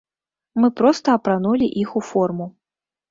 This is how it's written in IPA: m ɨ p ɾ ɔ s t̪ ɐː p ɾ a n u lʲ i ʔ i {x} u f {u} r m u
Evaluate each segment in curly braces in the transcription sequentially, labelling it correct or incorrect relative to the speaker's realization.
correct, incorrect

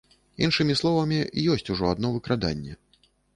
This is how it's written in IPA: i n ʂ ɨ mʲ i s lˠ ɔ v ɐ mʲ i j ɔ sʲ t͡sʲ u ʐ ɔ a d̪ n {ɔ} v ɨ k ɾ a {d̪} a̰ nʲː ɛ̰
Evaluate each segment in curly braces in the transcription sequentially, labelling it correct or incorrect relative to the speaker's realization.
correct, correct

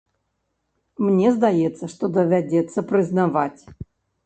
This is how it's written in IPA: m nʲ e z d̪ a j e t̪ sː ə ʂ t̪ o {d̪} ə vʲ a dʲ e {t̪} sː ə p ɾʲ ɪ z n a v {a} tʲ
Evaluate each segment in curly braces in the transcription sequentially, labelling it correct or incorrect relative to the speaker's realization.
correct, correct, correct

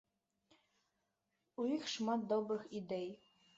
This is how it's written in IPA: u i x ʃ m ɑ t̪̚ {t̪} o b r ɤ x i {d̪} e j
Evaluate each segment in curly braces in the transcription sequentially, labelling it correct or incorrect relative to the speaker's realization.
incorrect, correct

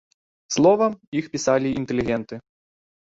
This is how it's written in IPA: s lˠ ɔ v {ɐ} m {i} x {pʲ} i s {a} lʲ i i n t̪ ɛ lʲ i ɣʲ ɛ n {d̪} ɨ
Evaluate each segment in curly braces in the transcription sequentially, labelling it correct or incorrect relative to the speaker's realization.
correct, correct, correct, correct, incorrect

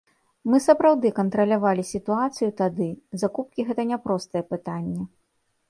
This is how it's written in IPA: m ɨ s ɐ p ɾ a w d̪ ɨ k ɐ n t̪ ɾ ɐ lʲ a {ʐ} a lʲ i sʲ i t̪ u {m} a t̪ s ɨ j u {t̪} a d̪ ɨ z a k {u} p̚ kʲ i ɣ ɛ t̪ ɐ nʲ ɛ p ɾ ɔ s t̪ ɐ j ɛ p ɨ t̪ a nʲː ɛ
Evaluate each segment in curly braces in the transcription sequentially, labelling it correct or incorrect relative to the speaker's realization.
incorrect, incorrect, correct, correct

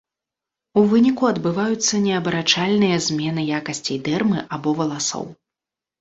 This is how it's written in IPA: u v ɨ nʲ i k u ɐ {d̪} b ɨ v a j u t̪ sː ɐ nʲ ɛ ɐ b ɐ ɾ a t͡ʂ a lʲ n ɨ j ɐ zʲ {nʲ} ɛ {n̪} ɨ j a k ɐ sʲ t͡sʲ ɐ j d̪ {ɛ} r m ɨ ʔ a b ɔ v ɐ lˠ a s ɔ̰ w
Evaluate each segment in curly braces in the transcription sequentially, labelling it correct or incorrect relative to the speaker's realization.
correct, incorrect, correct, correct

